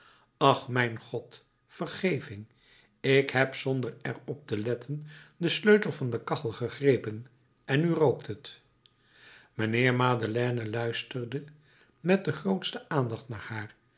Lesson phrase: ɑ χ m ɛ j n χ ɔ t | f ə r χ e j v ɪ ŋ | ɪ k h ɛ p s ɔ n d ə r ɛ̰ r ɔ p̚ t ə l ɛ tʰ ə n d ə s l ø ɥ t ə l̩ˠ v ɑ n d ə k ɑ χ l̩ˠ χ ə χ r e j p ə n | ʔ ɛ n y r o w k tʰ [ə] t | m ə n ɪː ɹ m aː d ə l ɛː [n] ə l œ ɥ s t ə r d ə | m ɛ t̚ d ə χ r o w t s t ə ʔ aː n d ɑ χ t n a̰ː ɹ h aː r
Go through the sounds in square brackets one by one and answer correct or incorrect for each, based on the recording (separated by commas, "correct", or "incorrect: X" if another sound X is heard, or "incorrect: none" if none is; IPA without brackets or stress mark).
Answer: correct, correct